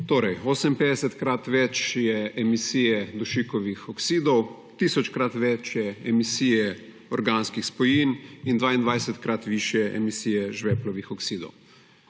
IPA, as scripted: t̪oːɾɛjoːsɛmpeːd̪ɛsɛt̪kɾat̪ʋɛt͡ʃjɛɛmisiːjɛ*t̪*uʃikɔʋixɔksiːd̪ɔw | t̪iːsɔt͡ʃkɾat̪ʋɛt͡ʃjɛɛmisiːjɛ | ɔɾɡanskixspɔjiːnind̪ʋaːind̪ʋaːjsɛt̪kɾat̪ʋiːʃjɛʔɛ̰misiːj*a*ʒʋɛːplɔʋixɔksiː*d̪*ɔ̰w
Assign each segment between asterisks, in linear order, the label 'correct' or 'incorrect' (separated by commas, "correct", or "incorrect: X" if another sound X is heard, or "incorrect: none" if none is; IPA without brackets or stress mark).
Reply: incorrect: d̪, incorrect: ɛ, correct